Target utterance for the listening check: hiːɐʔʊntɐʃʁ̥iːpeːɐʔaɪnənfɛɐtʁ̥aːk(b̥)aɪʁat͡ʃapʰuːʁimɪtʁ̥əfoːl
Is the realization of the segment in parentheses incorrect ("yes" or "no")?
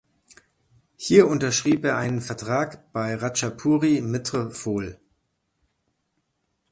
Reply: no